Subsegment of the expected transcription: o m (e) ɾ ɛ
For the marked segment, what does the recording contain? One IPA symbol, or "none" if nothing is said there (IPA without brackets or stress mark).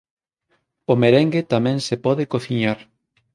e